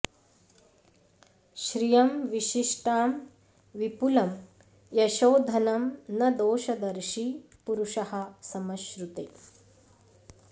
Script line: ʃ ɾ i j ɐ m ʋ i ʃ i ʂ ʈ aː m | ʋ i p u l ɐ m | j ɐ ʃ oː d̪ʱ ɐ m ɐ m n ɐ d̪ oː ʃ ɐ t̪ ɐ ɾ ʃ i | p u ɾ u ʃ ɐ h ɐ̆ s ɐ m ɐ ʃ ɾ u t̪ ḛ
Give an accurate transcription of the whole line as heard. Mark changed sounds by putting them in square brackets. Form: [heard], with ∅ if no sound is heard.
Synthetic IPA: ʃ ɾ i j ɐ m ʋ i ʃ i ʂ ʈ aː m | ʋ i p u l ɐ m | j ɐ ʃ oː d̪ʱ ɐ [n] ɐ m n ɐ d̪ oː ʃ ɐ [d̪] ɐ ɾ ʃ i | p u ɾ u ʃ ɐ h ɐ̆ s ɐ m ɐ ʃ ɾ u t̪ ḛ